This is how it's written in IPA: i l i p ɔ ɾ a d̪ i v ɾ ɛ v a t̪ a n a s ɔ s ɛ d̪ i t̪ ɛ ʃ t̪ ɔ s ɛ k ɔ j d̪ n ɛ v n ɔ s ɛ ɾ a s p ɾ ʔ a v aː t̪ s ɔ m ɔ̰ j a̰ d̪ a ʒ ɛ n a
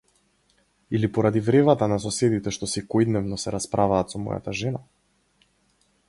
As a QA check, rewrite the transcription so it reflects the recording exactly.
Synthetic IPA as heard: i l i p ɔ ɾ a d̪ i v ɾ ɛ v a t̪ a n a s ɔ s ɛ d̪ i t̪ ɛ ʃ t̪ ɔ s ɛ k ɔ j d̪ n ɛ v n ɔ s ɛ ɾ a s p ɾ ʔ a v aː t̪ s ɔ m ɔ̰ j a̰ t̪ a ʒ ɛ n a